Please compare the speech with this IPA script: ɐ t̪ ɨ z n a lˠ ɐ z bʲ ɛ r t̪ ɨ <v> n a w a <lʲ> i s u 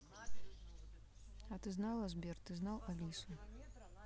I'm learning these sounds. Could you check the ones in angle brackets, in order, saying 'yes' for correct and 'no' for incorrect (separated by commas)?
no, yes